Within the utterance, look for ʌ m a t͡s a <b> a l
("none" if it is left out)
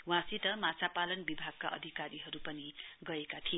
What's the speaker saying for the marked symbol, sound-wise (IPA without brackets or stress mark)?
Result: p